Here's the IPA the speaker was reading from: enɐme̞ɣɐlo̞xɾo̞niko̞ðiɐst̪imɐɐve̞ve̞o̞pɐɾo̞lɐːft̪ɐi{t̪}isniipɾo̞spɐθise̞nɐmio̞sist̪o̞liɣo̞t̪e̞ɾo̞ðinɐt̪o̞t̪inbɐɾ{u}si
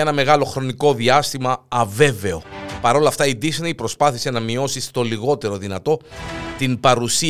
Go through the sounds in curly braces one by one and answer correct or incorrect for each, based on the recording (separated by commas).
incorrect, correct